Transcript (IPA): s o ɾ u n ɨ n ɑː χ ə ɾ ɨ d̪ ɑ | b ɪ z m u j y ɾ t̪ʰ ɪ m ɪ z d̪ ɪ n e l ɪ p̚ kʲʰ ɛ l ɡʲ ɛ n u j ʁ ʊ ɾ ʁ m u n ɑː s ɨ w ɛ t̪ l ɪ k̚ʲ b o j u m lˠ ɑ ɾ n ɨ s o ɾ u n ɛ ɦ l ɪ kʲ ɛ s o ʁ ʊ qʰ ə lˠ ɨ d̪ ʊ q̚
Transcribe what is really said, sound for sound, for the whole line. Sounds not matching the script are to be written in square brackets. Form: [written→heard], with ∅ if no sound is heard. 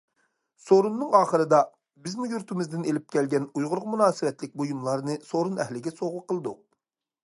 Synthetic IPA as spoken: s o ɾ u [n→nː] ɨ [n→ŋ] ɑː χ ə ɾ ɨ d̪ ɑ | b ɪ z m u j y ɾ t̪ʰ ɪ m ɪ z d̪ ɪ n e l ɪ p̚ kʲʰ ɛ l ɡʲ ɛ n u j ʁ ʊ ɾ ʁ m u n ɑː s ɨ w ɛ t̪ l ɪ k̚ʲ b o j u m lˠ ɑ ɾ n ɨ s o ɾ u n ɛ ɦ l ɪ [kʲ→ɡʲ] ɛ s o ʁ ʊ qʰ ə lˠ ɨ d̪ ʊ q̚